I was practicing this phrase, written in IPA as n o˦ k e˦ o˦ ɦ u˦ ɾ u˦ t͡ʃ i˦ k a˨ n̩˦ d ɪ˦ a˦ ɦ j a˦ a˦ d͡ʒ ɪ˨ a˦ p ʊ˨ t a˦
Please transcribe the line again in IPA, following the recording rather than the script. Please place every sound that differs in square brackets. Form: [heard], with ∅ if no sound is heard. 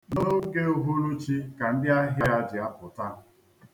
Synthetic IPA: n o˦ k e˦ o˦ ɦ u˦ ɾ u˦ t͡ʃ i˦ k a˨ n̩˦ d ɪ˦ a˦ ɦ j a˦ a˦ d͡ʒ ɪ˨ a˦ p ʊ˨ t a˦